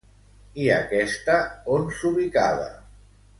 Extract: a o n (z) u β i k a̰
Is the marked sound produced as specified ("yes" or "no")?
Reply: no